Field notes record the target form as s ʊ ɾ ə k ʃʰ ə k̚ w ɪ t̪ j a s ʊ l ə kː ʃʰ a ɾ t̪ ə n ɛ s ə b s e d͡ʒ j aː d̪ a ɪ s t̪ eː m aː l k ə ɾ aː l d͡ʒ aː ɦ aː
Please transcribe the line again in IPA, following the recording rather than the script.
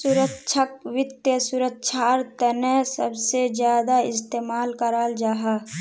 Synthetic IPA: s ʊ ɾ ə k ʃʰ ə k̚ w ɪ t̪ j ə s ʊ ɾ ə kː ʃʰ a ɾ t̪ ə n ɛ s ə b s e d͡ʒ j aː d̪ a ɪ s t̪ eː m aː l k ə ɾ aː l d͡ʒ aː ɦ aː